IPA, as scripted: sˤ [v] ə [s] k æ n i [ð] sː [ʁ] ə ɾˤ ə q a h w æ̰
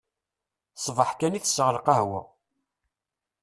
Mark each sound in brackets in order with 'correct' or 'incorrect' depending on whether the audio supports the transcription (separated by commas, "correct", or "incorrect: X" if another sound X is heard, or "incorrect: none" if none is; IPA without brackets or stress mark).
correct, incorrect: ħ, incorrect: θ, correct